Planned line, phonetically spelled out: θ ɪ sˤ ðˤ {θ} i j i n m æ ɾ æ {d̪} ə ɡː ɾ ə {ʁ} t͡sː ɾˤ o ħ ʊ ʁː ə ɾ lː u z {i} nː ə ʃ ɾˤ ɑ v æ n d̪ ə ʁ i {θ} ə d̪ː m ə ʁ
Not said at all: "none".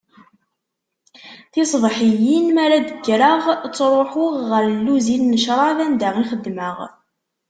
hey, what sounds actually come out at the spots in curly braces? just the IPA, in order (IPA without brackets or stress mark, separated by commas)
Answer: ħ, d̪, ʁ, i, χ